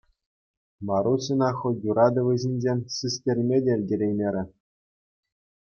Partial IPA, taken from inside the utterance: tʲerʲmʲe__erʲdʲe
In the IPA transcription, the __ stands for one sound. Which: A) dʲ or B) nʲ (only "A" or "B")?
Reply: A